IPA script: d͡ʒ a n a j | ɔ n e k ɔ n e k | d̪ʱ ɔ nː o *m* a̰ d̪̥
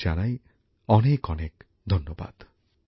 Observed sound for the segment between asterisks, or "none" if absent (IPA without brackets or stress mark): b